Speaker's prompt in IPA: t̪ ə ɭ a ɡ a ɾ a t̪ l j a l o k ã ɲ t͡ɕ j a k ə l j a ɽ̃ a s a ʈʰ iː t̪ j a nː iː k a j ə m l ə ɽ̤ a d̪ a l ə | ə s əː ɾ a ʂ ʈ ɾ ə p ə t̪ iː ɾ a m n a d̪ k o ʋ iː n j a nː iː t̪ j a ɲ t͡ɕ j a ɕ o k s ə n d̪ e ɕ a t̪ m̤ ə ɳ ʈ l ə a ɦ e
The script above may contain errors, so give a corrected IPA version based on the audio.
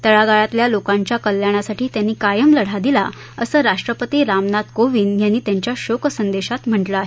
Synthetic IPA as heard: t̪ ə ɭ a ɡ a ɭ a t̪ l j a l o k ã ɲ t͡ɕ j a k ə l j a ɽ̃ a s a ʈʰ iː t̪ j a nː iː k a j ə m l ə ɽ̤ a d̪ i l a | ə s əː ɾ a ʂ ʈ ɾ ə p ə t̪ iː ɾ a m n a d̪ k o ʋ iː n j a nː iː t̪ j a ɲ t͡ɕ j a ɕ o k s ə n d̪ e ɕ a t̪ m̤ ə ɳ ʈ l ə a ɦ e